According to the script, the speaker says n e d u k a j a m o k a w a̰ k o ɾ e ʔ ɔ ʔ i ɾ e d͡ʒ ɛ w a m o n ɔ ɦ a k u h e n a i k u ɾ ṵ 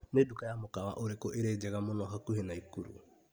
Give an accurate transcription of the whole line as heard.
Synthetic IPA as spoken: n e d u k a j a m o k a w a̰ ʔ o ɾ e k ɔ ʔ e ɾ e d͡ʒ ɛ ɣ a m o n ɔ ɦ a k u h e n a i k u ɾ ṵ